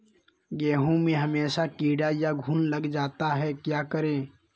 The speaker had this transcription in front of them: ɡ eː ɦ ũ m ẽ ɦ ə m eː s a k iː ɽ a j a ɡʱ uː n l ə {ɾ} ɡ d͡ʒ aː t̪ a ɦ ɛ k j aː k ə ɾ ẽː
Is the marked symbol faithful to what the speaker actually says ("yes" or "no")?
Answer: no